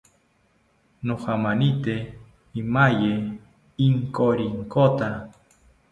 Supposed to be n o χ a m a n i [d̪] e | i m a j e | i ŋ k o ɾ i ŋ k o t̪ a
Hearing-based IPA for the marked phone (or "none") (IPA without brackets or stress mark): t̪